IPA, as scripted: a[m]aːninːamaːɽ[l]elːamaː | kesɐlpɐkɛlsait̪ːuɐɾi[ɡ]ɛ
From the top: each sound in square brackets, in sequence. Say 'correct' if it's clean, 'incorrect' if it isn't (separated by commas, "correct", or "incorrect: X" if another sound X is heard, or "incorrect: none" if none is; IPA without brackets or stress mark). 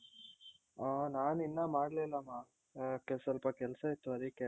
incorrect: n, correct, incorrect: k